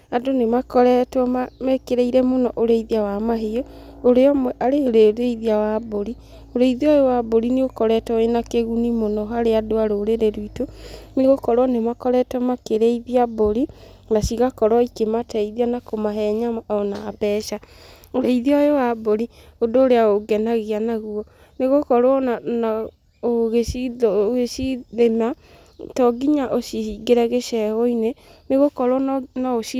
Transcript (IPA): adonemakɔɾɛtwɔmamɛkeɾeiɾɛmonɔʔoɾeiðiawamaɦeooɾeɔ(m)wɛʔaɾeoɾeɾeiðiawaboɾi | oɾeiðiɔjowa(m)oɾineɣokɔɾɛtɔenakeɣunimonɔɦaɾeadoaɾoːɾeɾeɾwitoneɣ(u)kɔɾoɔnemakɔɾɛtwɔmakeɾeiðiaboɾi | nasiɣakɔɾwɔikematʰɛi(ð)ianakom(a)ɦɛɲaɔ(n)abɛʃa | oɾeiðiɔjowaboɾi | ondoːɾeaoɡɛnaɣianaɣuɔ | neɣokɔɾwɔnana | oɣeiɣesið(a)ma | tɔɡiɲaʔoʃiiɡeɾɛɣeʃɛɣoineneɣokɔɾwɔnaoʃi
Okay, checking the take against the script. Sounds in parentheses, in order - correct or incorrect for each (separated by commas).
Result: correct, incorrect, incorrect, correct, correct, correct, incorrect